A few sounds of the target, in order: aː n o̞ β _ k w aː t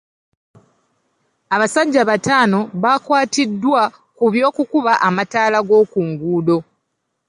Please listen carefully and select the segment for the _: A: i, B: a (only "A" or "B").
B